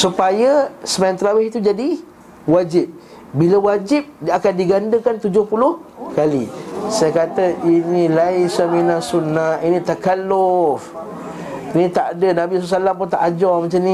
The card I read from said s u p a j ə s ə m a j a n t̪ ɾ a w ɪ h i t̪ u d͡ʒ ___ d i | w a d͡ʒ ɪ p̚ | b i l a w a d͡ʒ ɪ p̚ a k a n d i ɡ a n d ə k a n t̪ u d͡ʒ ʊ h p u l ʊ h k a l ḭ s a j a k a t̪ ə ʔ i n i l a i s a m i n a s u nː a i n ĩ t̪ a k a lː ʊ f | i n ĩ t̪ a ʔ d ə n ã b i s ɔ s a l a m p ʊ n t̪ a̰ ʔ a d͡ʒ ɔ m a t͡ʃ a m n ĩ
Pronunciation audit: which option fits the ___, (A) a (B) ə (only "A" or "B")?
A